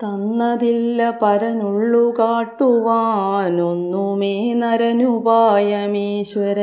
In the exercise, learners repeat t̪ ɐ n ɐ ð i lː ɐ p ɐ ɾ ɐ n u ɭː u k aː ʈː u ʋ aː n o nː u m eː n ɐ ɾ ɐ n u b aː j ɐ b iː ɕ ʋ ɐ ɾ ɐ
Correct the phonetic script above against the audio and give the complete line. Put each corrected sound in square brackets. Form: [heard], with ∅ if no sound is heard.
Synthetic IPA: t̪ ɐ [nː] ɐ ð i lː ɐ p ɐ ɾ ɐ n u ɭː u k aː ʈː u ʋ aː n o nː u m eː n ɐ ɾ ɐ n u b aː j ɐ [m] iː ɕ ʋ ɐ ɾ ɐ